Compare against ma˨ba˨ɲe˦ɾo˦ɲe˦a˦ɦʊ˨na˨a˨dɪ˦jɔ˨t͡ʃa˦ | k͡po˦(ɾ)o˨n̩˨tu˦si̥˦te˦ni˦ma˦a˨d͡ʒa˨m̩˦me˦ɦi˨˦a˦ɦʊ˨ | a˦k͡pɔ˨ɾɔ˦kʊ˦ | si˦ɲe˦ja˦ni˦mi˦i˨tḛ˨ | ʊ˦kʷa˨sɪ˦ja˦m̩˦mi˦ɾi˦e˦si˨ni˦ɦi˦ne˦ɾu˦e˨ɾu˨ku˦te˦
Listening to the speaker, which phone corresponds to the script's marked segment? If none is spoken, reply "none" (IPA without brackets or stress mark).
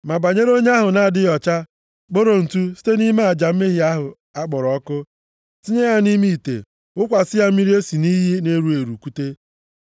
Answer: ɾ